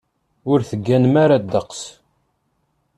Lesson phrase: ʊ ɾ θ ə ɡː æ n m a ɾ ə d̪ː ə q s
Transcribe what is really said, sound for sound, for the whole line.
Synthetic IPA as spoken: ʊ ɾ θ ə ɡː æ n m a ɾ a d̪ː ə q s